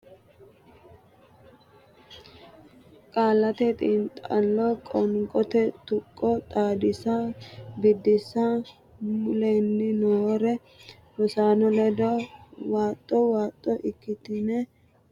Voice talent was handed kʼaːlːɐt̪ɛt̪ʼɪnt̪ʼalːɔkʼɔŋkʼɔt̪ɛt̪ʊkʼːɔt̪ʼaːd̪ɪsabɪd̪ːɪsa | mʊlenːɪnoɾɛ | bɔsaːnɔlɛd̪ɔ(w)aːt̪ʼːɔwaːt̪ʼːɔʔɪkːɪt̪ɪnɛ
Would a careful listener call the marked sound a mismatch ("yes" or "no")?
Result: no